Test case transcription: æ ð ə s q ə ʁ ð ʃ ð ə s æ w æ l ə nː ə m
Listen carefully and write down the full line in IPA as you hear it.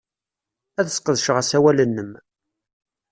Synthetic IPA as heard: æ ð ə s q ə ð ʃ ʁ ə s æ w æ l ə nː ə m